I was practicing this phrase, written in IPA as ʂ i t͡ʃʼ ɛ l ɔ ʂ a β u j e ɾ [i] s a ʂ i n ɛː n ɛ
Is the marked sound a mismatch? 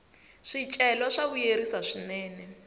no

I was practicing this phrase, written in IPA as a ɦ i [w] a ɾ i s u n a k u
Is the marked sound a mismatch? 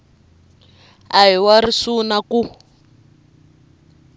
no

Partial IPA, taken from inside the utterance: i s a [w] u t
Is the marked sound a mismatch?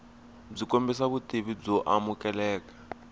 yes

